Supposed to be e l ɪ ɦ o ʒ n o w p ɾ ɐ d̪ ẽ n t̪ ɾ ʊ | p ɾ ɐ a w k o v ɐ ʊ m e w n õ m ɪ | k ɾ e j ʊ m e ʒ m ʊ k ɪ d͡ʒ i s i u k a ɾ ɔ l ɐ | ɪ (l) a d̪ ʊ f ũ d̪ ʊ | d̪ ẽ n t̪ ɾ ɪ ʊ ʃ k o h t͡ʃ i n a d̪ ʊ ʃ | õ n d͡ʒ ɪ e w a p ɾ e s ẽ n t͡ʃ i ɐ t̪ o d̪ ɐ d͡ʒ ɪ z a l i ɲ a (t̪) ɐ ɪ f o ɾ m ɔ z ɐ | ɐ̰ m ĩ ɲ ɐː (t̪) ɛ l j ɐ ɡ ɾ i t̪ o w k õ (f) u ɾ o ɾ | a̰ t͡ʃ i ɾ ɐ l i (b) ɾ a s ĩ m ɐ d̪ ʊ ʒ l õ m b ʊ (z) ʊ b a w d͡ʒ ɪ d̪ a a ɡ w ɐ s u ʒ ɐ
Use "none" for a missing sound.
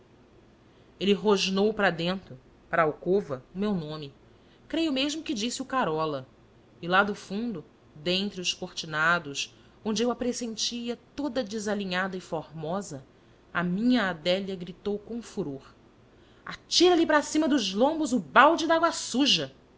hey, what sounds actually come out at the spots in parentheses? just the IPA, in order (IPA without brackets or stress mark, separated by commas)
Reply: l, d̪, d̪, f, p, z